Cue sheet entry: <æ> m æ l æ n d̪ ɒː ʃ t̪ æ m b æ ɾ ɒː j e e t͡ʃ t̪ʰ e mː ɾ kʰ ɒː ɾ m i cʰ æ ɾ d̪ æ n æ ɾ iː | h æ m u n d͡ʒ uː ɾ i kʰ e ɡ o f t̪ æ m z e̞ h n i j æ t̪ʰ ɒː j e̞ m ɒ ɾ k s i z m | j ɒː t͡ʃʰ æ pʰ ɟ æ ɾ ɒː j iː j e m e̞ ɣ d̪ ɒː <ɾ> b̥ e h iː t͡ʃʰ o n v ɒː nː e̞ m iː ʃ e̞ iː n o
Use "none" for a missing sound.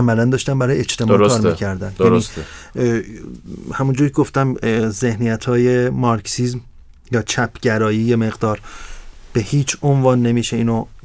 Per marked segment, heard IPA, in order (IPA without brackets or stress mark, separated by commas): æ, ɾ